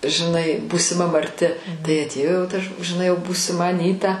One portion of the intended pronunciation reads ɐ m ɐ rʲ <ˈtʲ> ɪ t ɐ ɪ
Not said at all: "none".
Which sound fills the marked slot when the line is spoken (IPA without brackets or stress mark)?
tʲ